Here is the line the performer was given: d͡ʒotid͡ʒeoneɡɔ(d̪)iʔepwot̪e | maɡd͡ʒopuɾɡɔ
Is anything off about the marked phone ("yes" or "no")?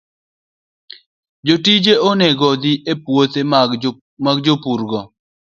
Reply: no